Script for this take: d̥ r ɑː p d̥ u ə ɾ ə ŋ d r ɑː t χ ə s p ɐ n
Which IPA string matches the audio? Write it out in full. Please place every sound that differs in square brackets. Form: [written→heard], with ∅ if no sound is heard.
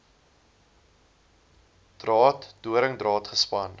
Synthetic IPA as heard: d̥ r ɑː [p→t] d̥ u ə ɾ ə ŋ d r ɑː t χ ə s p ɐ n